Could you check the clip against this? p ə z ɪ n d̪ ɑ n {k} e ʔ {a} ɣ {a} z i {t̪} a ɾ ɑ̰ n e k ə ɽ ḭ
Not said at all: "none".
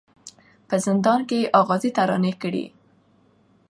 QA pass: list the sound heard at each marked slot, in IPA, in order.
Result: k, ɑ, ɑ, t̪

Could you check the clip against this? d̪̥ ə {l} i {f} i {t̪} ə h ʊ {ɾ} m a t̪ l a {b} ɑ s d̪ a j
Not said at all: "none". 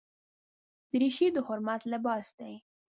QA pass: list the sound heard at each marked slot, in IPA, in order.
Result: ɾ, ʃ, d̪, ɾ, b

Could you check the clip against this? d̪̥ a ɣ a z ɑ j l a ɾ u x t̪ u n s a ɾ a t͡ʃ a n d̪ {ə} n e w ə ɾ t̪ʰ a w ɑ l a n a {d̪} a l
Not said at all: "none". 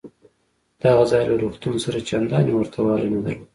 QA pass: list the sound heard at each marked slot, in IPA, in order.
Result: ɑ, d̪

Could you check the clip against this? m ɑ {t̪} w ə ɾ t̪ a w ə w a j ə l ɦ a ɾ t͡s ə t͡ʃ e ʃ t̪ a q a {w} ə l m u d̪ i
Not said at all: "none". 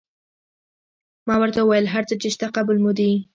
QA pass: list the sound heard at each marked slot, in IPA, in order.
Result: none, b

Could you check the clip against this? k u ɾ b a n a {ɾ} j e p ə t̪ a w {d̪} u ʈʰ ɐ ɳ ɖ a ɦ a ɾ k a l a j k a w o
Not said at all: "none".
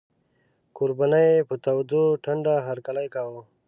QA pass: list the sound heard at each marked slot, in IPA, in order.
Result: none, d̪

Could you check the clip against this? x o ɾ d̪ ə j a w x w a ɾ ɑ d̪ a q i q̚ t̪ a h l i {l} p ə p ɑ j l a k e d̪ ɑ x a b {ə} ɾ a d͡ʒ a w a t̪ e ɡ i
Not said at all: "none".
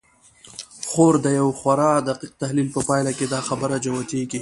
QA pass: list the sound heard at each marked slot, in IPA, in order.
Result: l, ə

